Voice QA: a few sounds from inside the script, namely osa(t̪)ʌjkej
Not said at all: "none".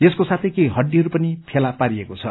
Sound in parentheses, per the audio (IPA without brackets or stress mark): t̪ʰ